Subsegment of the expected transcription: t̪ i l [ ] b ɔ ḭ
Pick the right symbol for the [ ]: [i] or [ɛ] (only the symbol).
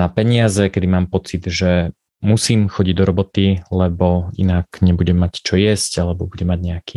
ɛ